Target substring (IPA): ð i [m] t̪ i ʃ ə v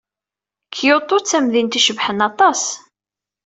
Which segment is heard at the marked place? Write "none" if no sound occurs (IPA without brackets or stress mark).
n